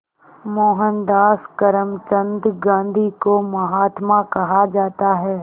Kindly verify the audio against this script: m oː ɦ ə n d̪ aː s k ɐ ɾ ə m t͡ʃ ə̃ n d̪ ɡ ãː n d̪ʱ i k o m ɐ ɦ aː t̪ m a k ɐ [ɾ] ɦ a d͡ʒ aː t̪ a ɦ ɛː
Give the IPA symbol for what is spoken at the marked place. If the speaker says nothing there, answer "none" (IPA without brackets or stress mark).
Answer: none